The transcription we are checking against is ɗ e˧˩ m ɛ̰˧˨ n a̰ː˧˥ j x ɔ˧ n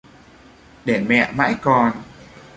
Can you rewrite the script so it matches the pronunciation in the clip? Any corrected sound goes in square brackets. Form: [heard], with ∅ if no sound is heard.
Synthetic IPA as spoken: ɗ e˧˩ m ɛ̰˧˨ [m] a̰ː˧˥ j [k] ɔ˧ n